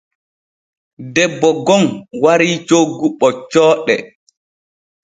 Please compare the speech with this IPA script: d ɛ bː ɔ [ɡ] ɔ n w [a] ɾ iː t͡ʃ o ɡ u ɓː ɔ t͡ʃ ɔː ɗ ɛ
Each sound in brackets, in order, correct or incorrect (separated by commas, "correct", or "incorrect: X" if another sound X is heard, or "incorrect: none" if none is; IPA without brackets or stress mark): correct, correct